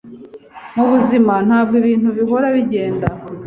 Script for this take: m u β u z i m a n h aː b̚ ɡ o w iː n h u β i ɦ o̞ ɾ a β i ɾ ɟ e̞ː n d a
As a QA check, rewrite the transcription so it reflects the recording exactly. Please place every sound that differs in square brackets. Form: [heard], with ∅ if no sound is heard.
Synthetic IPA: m u β u z i m a n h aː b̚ ɡ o [β] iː n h u β i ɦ o̞ ɾ a β i [∅] ɟ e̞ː n d a